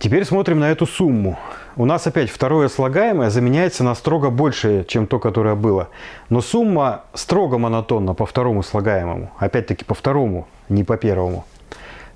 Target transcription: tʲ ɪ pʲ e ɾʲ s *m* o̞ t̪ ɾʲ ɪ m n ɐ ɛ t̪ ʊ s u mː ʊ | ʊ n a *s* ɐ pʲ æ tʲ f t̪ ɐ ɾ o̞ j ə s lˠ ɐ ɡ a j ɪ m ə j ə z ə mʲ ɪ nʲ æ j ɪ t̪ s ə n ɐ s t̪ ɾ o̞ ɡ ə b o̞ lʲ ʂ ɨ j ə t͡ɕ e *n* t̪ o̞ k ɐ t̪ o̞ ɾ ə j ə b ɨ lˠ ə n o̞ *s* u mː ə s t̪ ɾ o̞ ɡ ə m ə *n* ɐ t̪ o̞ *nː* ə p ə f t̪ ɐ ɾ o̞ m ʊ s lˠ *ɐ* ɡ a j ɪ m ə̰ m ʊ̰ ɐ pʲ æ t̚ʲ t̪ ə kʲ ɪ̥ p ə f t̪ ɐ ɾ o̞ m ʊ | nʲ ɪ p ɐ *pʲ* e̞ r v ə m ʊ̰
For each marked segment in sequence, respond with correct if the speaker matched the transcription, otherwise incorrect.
correct, correct, incorrect: m, correct, correct, correct, correct, correct

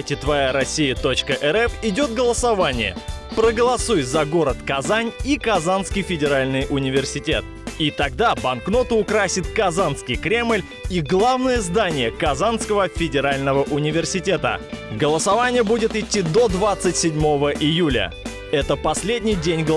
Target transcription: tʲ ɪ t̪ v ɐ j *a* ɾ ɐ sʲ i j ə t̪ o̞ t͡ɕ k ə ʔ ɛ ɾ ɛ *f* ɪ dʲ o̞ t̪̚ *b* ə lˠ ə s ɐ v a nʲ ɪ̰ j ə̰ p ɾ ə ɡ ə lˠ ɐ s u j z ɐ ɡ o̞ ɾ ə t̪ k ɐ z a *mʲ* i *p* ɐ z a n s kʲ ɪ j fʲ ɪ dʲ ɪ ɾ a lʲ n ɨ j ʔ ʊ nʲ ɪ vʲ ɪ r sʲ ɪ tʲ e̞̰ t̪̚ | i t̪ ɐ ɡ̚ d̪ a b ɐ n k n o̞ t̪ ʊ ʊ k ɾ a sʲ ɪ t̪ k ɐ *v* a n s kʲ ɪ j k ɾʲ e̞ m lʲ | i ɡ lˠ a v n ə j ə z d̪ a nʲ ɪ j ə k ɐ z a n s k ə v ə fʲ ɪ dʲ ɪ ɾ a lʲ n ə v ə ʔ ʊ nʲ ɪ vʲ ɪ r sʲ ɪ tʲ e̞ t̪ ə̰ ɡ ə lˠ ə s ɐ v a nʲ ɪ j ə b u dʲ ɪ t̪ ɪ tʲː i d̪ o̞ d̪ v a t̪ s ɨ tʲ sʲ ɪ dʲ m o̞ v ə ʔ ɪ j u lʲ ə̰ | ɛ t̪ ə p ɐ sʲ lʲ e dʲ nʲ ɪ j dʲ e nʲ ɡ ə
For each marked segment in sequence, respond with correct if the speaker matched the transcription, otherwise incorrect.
correct, correct, incorrect: ɡ, incorrect: nʲ, incorrect: k, incorrect: z

